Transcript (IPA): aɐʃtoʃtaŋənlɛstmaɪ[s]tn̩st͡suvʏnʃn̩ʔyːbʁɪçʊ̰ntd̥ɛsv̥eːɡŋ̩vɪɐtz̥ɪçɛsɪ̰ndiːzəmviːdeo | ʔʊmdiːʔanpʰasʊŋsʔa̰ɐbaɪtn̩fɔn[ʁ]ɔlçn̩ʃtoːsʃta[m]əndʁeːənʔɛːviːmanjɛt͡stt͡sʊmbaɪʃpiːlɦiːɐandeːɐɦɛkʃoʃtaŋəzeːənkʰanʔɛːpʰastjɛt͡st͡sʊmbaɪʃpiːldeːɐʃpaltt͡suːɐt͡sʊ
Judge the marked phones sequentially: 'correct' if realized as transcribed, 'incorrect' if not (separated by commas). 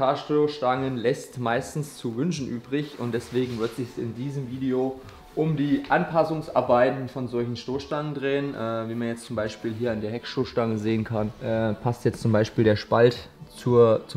correct, incorrect, incorrect